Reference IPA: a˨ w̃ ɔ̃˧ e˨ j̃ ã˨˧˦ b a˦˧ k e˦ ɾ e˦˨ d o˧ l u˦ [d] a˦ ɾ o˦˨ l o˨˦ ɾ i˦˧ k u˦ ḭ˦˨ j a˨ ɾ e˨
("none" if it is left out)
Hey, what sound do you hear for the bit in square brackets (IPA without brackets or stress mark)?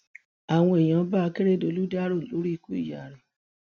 d